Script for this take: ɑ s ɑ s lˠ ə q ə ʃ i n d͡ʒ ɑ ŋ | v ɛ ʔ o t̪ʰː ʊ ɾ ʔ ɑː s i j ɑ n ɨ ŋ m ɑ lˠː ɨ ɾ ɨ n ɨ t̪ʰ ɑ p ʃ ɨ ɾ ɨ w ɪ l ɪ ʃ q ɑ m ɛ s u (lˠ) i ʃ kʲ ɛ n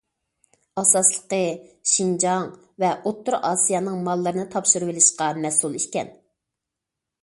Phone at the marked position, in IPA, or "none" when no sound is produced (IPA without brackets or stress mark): lˠ